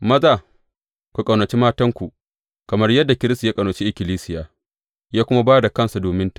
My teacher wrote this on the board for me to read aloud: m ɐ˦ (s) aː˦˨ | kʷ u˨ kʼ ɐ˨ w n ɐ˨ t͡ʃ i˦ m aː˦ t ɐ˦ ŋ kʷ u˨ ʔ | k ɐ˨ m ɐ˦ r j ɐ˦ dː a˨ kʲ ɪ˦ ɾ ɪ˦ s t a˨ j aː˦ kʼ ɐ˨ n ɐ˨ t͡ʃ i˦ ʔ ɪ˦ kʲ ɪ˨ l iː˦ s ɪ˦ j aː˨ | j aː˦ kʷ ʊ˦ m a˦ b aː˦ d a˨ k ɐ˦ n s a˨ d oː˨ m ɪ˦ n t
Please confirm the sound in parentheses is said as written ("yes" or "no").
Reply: no